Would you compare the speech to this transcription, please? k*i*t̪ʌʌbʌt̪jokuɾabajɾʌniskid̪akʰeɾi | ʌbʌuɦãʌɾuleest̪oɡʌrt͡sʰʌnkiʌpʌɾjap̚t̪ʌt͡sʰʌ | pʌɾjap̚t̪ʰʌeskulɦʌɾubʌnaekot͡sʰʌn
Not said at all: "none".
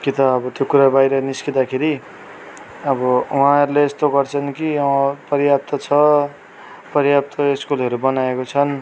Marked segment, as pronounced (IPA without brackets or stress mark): i